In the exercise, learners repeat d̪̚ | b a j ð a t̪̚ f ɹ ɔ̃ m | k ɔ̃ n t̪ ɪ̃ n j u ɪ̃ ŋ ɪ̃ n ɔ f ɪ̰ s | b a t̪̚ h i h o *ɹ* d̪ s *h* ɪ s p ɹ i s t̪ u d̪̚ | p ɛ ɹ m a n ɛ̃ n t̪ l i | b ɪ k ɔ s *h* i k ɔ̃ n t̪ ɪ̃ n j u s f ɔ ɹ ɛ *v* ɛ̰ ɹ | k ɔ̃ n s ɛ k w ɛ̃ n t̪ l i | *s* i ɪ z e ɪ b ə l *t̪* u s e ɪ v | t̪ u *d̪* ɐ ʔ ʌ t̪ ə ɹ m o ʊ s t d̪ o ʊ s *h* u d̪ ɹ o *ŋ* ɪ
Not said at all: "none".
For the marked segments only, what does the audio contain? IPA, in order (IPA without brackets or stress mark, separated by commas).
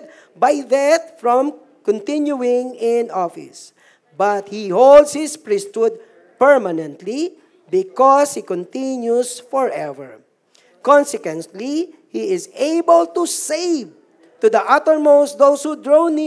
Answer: l, h, h, v, h, t̪, d̪, h, n